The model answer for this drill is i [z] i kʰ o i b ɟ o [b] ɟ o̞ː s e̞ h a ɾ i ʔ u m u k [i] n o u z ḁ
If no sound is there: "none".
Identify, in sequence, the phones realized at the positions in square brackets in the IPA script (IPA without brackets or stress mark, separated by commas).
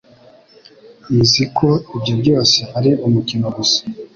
z, b, i